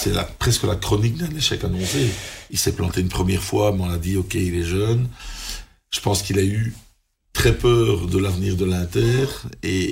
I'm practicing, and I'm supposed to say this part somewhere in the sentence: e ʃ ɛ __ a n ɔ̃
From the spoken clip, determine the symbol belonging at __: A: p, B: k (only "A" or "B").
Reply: B